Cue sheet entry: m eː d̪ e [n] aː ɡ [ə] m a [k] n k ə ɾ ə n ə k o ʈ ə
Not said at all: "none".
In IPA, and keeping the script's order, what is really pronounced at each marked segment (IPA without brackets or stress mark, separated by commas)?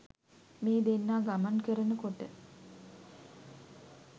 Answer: nː, a, none